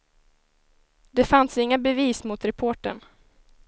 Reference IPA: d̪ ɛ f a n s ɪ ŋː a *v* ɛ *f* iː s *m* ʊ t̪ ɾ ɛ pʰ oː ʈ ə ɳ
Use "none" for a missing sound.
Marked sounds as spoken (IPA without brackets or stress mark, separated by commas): b, v, m